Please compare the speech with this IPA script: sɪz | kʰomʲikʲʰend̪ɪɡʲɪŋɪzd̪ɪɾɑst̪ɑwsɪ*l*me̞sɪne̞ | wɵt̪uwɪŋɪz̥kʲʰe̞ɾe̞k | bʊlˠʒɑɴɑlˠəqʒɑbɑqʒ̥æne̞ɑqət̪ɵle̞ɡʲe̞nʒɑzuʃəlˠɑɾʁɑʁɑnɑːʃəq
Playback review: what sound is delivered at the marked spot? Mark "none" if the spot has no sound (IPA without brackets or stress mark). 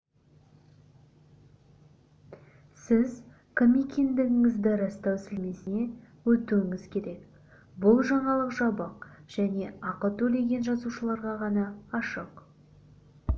l